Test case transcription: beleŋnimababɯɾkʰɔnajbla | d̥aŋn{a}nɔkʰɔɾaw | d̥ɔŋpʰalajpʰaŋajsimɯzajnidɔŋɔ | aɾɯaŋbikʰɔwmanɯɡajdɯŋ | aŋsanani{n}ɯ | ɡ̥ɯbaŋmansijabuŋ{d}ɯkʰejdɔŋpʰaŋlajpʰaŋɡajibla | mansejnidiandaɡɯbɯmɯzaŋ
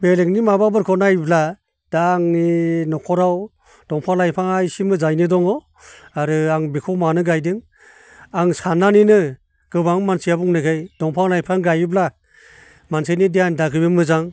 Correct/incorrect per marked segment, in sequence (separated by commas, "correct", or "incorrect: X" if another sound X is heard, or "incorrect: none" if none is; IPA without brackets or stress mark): incorrect: i, correct, incorrect: n